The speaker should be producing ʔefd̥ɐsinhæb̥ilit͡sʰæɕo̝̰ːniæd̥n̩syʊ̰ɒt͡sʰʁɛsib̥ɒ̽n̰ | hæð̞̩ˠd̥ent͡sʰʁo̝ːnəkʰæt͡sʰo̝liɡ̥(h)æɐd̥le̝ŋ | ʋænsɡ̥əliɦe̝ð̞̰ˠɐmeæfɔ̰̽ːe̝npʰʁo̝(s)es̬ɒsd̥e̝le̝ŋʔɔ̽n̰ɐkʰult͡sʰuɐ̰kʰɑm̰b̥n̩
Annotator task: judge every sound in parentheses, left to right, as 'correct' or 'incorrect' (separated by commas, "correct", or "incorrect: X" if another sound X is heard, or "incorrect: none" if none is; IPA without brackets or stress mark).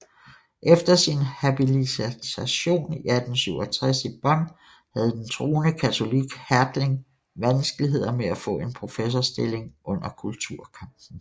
correct, incorrect: f